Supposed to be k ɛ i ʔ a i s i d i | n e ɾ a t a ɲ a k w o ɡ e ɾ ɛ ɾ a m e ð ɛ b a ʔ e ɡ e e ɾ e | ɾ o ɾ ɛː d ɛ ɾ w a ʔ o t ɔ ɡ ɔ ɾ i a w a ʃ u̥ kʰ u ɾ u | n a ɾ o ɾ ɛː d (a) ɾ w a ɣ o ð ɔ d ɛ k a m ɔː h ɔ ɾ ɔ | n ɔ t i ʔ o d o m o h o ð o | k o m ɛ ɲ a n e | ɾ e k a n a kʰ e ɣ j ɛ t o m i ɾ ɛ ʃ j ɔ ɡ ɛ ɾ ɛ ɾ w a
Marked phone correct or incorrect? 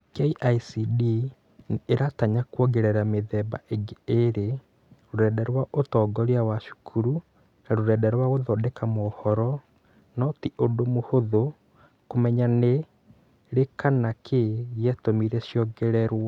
incorrect